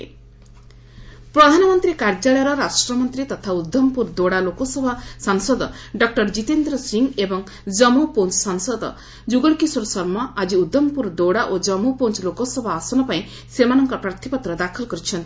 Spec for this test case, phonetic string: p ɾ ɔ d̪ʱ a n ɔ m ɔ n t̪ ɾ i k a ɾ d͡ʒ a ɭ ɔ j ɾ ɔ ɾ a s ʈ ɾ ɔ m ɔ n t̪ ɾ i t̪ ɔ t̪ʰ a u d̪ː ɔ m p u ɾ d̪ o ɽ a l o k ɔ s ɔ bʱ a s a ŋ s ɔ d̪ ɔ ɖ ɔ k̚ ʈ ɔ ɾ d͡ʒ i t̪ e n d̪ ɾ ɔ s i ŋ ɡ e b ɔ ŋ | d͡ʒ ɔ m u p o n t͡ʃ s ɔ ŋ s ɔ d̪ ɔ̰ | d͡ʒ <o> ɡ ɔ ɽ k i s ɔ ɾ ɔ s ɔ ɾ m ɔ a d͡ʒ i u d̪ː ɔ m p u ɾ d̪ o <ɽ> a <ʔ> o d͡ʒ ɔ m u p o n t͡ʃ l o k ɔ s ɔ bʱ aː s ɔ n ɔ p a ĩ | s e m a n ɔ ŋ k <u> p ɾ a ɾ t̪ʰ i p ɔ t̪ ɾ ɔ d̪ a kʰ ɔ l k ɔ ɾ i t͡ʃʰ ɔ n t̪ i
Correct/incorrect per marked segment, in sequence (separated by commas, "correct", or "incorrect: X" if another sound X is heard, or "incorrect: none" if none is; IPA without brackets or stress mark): incorrect: u, correct, correct, incorrect: ɔ